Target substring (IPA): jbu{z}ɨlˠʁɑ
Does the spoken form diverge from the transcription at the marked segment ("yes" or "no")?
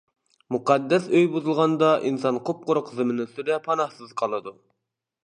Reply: no